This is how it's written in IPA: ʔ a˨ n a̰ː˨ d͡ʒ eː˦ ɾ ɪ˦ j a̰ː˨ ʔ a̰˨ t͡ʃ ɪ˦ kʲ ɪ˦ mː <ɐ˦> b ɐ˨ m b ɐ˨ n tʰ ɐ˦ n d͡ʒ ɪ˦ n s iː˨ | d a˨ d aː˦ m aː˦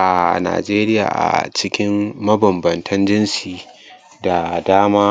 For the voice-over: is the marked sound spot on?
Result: yes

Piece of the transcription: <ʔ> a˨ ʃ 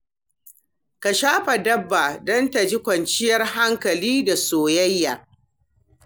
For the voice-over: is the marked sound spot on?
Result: no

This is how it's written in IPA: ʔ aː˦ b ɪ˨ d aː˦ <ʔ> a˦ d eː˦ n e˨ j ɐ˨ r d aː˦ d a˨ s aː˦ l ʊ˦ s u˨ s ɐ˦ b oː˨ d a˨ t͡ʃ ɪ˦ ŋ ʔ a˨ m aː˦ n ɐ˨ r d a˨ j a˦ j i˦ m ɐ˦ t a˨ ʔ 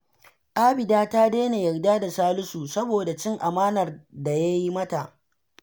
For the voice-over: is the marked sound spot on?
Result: no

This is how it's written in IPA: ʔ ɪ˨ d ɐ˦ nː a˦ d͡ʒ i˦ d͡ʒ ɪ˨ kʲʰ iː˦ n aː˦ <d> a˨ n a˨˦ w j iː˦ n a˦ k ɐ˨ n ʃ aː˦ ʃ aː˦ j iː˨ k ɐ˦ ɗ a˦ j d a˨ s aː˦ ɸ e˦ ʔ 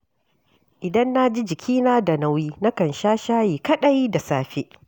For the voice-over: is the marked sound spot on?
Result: yes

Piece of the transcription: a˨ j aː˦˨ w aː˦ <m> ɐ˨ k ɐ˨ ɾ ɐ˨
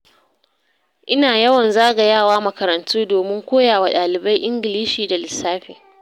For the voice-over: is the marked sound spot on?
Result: yes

